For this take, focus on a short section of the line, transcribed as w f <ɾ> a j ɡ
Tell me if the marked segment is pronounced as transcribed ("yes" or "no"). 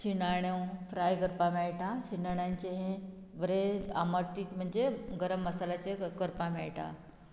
yes